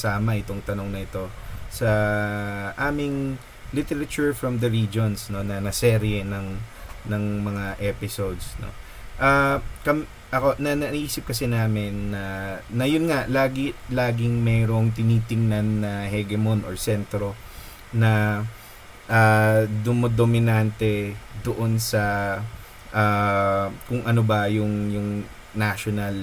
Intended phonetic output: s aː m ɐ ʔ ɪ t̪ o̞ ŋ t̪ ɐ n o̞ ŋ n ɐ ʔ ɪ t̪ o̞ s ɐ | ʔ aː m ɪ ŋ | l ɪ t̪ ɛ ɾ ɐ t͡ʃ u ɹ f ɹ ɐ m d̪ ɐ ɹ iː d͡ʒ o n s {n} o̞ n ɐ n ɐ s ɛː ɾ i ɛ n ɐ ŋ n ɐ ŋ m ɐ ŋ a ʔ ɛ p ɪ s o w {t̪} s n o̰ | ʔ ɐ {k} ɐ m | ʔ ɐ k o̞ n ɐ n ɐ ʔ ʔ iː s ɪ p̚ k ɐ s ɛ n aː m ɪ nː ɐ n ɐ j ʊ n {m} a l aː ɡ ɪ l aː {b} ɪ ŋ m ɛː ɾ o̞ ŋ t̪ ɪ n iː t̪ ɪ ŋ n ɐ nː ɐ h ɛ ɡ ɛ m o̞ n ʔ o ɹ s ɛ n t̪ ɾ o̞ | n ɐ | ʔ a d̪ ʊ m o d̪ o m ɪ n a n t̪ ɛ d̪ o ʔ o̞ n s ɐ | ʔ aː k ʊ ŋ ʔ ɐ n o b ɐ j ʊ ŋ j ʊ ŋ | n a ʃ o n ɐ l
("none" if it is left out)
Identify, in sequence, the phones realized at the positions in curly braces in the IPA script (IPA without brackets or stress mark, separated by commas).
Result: n, d̪, k, ŋ, ɡ